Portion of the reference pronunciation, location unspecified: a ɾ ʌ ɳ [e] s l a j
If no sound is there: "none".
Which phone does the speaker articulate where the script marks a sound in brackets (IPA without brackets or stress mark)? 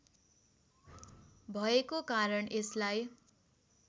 e